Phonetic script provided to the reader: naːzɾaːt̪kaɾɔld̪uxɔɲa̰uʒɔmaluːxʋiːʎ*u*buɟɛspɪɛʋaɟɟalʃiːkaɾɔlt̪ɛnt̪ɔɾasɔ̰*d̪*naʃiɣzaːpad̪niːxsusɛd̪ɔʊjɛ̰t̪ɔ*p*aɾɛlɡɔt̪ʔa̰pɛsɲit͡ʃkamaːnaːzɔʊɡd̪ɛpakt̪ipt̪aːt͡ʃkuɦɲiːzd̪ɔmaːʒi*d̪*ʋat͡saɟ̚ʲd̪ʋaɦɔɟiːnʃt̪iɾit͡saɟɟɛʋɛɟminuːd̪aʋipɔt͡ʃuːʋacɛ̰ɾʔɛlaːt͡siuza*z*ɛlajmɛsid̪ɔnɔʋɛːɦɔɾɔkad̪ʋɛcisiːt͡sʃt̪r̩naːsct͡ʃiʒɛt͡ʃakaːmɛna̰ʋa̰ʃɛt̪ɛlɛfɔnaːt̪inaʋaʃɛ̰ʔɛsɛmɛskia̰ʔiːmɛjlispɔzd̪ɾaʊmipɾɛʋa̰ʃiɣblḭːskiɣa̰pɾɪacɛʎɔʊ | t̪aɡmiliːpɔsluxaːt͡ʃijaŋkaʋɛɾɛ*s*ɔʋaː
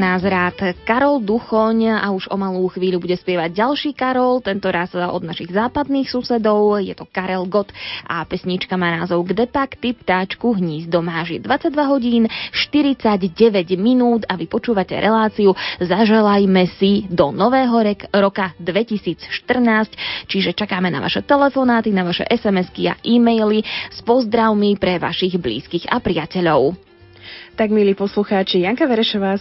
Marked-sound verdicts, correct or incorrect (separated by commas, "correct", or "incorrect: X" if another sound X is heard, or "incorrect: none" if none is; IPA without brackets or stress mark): correct, correct, incorrect: k, correct, incorrect: ʒ, incorrect: ʃ